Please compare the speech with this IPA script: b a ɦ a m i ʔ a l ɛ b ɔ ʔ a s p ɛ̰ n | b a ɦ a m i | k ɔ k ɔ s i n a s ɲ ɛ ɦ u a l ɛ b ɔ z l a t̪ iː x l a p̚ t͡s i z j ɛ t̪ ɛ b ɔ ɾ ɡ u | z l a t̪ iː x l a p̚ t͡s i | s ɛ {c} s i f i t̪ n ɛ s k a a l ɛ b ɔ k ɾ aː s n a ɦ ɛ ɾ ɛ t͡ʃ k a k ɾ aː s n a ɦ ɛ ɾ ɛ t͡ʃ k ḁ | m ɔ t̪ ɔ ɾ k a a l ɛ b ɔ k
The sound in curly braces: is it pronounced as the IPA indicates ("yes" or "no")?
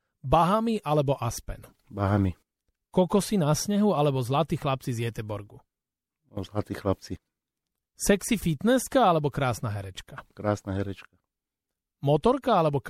no